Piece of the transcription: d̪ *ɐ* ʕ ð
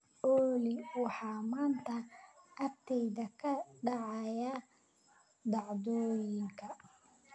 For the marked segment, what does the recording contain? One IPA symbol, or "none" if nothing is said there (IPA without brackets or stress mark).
ɑ